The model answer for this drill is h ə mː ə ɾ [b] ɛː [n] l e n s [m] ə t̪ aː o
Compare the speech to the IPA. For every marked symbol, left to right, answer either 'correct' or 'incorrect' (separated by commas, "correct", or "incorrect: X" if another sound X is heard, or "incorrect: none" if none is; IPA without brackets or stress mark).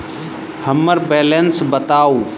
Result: correct, incorrect: none, incorrect: b